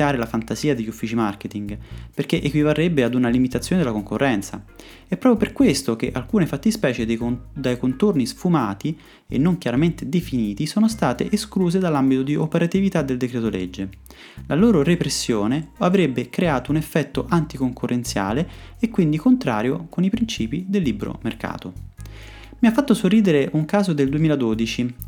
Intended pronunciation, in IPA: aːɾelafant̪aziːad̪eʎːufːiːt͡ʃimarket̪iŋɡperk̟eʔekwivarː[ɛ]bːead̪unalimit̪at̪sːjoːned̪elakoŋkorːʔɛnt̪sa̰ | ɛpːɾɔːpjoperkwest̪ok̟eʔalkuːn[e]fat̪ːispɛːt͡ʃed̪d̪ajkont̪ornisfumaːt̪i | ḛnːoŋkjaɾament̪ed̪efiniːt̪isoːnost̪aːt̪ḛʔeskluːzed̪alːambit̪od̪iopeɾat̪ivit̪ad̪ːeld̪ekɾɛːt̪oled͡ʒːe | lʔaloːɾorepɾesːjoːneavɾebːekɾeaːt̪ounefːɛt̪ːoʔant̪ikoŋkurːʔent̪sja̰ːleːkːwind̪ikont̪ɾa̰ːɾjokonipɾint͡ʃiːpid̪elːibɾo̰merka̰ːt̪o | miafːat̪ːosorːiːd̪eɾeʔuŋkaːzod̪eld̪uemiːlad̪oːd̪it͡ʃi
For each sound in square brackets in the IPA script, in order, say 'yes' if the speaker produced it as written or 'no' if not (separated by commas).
no, yes